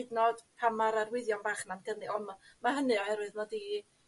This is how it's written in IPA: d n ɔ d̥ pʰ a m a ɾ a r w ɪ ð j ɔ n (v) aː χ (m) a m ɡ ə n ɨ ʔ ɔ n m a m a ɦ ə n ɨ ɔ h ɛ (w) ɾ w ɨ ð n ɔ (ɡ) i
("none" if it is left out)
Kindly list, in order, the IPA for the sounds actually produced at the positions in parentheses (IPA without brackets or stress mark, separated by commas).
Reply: b, n, none, d